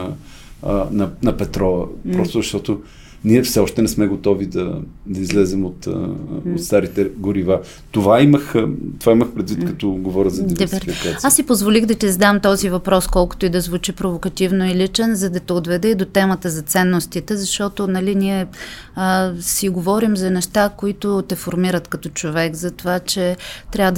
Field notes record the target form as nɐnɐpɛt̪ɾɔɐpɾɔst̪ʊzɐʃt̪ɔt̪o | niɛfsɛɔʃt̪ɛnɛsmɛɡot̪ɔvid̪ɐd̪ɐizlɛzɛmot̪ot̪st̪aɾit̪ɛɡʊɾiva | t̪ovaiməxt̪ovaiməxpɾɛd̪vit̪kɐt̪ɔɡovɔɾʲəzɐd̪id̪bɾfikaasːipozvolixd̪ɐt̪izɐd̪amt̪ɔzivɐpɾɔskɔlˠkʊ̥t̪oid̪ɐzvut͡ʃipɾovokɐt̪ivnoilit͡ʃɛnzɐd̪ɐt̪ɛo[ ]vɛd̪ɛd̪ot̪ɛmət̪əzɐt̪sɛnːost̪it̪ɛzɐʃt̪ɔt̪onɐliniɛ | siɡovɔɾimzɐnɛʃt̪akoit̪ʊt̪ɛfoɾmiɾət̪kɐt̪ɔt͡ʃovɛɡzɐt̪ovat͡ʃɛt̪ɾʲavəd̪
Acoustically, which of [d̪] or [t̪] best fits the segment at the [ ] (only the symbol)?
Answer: d̪